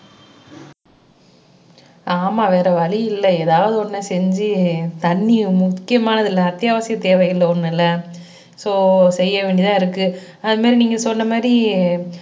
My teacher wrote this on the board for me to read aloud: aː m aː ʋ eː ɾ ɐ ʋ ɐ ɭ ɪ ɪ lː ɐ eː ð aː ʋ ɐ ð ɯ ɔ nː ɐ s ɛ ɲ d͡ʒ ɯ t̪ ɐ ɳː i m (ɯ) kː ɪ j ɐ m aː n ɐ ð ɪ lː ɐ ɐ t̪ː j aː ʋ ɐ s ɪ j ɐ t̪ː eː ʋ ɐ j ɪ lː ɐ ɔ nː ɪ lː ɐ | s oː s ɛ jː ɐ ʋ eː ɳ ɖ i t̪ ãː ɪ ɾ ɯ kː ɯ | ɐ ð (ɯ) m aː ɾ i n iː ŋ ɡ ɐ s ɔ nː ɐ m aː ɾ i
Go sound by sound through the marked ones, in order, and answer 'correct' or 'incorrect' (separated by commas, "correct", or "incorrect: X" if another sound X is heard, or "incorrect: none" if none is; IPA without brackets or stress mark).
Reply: incorrect: ʊ, correct